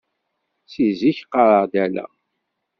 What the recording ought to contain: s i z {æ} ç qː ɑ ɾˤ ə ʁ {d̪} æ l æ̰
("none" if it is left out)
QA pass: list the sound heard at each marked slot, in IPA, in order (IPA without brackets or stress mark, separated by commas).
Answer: i, d̪